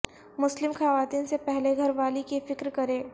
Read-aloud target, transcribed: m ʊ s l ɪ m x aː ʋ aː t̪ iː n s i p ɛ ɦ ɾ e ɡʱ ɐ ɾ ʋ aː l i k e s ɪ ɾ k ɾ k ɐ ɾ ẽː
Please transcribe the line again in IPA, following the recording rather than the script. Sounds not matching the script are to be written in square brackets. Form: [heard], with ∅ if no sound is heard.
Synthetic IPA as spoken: m ʊ s l ɪ m x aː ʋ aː t̪ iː n s [e] p ɛ ɦ [l] e ɡʱ ɐ ɾ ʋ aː l i k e [f] ɪ [∅] k ɾ k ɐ ɾ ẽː